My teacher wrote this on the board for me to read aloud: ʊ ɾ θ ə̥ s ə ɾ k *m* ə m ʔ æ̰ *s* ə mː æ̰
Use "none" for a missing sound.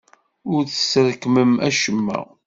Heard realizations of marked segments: m, ʃ

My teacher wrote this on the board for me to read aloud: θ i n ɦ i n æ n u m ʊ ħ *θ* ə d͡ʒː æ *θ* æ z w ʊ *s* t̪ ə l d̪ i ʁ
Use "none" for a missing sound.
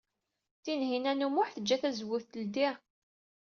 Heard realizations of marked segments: θ, θ, θ

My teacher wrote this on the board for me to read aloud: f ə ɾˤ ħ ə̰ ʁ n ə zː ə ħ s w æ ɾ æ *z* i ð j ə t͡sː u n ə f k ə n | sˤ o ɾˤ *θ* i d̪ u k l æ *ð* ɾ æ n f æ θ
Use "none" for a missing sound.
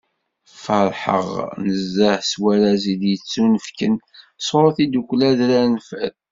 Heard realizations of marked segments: z, θ, ð

